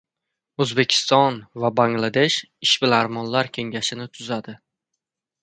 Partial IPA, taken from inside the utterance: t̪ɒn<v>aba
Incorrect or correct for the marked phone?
correct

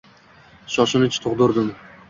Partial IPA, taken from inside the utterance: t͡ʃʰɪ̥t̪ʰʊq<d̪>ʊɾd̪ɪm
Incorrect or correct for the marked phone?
correct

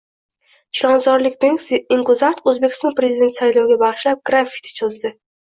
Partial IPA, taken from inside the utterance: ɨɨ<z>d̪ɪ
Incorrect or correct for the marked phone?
correct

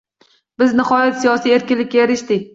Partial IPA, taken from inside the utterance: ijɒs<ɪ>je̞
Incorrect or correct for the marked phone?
incorrect: i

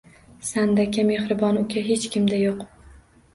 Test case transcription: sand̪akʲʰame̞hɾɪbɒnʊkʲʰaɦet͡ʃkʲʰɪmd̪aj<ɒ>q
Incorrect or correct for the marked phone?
incorrect: o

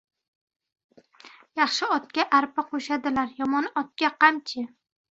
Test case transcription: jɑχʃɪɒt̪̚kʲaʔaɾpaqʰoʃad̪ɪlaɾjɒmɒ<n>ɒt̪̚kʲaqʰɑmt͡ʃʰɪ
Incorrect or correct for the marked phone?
correct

